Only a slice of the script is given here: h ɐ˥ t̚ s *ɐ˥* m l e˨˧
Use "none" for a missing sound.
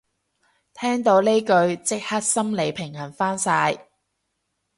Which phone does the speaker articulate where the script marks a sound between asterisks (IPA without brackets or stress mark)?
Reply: ɐ˥